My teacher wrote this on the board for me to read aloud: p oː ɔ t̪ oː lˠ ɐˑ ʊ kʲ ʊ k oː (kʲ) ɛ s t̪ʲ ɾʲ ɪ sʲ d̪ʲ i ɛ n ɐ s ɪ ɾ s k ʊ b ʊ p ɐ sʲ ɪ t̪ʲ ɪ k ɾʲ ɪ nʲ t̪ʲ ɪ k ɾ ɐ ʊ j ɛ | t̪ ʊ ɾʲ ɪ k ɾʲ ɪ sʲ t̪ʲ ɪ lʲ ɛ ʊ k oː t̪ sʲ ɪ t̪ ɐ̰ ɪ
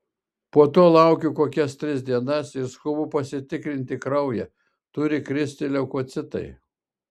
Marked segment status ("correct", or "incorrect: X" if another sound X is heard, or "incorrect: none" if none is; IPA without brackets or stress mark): correct